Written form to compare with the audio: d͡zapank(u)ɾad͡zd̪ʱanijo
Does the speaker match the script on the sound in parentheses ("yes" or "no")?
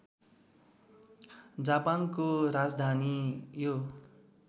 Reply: no